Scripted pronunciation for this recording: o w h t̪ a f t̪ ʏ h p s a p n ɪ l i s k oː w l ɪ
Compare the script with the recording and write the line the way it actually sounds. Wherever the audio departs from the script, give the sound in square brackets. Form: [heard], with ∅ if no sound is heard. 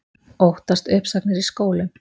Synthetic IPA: o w h t̪ a [s] t̪ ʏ h p s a [k] n ɪ [ɾ] i s k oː w l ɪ

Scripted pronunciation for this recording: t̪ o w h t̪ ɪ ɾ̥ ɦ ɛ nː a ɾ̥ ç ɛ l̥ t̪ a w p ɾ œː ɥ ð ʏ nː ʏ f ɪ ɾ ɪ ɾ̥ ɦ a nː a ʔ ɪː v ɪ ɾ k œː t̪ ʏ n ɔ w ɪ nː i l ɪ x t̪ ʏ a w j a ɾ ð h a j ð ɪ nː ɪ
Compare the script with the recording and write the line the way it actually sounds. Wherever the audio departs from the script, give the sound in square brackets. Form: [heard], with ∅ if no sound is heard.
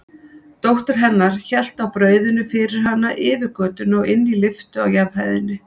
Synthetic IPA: t̪ o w h t̪ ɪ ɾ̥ ɦ ɛ nː a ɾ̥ ç ɛ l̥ t̪ a w p ɾ œː ɥ ð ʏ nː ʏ f ɪ ɾ ɪ ɾ̥ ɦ a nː a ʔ ɪː v ɪ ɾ k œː t̪ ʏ n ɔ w ɪ nː i l ɪ [f] t̪ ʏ a w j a ɾ ð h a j ð ɪ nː ɪ

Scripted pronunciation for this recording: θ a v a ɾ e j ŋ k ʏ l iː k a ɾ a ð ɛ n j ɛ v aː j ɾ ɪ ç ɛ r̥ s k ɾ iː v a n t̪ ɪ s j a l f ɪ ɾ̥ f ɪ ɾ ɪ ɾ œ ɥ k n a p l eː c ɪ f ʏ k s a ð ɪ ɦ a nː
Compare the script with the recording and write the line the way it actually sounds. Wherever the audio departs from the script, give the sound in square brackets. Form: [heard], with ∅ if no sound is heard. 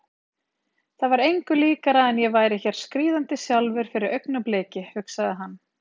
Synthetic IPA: θ a v a ɾ e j ŋ k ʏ l iː k a ɾ a ð ɛ n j ɛ v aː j ɾ ɪ ç ɛ [ɾ̥] s k ɾ iː [ð] a n t̪ ɪ s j a l [v] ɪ ɾ̥ f ɪ ɾ ɪ ɾ œ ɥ k n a p l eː c ɪ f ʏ k s a ð ɪ ɦ a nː

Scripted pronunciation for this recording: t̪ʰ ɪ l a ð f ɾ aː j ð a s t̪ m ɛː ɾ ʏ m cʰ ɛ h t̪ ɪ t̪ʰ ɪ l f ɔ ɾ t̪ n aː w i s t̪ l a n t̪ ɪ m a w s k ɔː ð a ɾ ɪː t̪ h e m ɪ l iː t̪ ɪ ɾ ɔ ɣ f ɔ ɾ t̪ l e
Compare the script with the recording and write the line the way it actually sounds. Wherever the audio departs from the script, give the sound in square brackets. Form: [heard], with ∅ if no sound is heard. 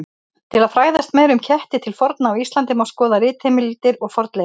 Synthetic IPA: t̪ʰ ɪ l a ð f ɾ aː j ð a s t̪ m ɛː ɾ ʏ m cʰ ɛ h t̪ ɪ t̪ʰ ɪ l f ɔ ɾ t̪ n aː w i s t̪ l a n t̪ ɪ m a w s k ɔː ð a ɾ ɪː t̪ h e m ɪ l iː t̪ ɪ ɾ ɔ ɣ f ɔ ɾ t̪ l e

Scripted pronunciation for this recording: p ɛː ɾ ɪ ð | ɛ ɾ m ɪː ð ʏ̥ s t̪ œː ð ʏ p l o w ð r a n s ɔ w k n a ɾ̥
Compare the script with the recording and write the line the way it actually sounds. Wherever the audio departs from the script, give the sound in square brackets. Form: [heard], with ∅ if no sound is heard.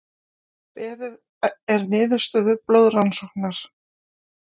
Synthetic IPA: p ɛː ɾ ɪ ð | ɛ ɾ [n] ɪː ð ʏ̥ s t̪ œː ð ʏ p l o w ð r a n s ɔ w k n a ɾ̥

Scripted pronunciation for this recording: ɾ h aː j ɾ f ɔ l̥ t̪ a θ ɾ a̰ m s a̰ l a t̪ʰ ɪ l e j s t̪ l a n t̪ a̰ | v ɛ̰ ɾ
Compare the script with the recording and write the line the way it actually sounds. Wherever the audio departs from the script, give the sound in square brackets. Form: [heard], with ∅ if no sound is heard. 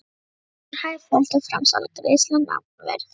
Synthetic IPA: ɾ h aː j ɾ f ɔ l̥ t̪ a [f] ɾ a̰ m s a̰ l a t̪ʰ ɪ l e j s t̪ l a n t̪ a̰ | v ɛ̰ ɾ

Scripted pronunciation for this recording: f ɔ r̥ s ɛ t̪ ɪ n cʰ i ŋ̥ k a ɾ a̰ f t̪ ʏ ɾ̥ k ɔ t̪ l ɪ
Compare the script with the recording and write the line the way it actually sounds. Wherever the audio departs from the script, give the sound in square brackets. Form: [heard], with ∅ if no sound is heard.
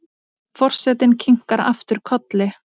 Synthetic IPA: f ɔ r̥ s ɛ t̪ ɪ n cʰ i ŋ̥ k a ɾ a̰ f t̪ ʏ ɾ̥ [kʰ] ɔ t̪ l ɪ

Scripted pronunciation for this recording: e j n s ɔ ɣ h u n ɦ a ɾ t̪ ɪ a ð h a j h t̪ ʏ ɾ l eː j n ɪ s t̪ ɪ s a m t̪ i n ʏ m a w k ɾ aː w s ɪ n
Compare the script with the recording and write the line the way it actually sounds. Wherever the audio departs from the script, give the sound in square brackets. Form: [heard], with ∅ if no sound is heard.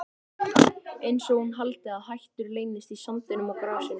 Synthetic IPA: e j n s ɔ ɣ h u n ɦ a [l] t̪ ɪ a ð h a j h t̪ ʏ ɾ l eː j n ɪ s t̪ [i] s a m t̪ [ɪ] n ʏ m a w k ɾ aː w s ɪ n

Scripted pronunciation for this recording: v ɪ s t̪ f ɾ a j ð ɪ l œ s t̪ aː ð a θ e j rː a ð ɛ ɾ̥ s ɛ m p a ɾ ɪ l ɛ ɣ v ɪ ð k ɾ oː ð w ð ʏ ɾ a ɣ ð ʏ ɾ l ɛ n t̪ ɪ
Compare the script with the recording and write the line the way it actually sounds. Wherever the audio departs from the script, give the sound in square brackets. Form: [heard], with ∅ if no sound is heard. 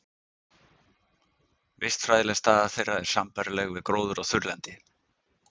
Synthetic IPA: v ɪ s t̪ f ɾ a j ð ɪ l [ɛ] s t̪ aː ð a θ e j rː a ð ɛ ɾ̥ s [a] m p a ɾ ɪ l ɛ ɣ v ɪ ð k ɾ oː [∅] w ð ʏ ɾ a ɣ [θ] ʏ ɾ l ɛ n t̪ ɪ

